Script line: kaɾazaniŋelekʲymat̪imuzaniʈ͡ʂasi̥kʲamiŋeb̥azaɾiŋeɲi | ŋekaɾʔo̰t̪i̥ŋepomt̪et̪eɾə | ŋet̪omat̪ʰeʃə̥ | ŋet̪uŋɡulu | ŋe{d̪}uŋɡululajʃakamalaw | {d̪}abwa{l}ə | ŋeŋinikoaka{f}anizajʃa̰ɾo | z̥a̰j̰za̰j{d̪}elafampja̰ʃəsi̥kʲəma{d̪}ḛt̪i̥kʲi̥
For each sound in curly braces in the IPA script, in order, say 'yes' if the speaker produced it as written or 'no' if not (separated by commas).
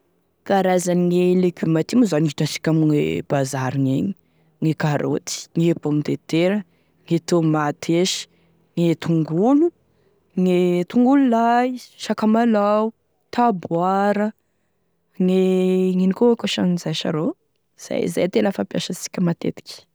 no, no, no, no, no, no